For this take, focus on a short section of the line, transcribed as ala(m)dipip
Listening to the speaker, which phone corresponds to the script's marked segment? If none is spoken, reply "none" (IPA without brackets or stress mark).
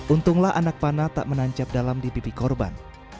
m